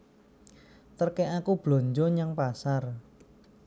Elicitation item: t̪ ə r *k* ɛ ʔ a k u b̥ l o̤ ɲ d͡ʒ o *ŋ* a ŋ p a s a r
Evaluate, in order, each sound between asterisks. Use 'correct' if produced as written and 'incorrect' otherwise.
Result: correct, incorrect

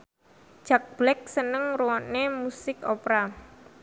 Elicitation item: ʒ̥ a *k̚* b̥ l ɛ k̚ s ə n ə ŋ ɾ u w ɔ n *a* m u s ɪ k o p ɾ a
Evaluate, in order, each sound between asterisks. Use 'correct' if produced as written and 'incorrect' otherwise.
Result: correct, incorrect

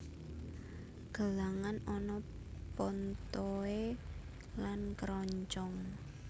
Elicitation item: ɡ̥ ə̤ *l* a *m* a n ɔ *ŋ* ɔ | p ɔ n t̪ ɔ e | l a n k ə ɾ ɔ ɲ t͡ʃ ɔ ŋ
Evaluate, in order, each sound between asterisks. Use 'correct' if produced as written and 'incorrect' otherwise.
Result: correct, incorrect, incorrect

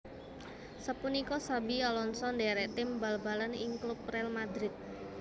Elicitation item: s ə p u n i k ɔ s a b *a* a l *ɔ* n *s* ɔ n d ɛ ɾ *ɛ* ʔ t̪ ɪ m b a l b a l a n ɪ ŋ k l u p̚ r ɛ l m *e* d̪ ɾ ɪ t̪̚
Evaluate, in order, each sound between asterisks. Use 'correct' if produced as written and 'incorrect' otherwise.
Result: incorrect, correct, correct, correct, incorrect

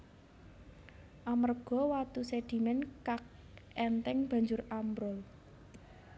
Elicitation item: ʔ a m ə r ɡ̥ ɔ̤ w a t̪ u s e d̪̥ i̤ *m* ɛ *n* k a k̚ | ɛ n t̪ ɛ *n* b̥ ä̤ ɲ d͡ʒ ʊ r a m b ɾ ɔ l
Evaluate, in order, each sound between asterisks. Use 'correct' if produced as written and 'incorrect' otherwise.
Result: correct, correct, incorrect

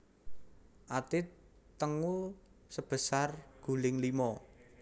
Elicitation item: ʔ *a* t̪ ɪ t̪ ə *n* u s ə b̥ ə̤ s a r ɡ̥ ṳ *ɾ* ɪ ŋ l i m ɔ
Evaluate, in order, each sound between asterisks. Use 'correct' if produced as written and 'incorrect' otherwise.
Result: correct, incorrect, incorrect

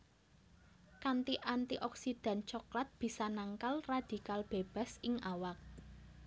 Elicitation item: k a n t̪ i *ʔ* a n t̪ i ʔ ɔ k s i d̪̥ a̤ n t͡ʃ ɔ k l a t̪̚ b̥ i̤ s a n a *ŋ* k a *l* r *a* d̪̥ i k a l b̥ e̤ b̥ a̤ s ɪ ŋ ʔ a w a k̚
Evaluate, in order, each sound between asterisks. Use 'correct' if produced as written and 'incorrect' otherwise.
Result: correct, correct, correct, correct

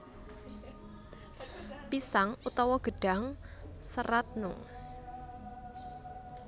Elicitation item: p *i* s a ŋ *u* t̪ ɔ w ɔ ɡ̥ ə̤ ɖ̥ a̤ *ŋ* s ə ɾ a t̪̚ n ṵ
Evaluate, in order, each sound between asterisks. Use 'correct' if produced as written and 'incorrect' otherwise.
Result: correct, correct, correct

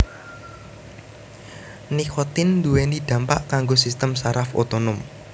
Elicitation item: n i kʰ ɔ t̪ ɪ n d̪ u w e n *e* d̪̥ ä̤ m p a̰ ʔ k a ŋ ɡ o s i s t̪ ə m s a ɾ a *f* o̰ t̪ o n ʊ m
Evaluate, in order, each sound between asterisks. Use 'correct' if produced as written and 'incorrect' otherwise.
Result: incorrect, correct

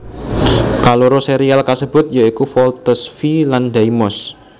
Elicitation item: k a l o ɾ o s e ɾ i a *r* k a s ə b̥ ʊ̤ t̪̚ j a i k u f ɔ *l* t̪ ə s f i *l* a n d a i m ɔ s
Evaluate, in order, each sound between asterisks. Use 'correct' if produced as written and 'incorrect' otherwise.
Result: incorrect, correct, correct

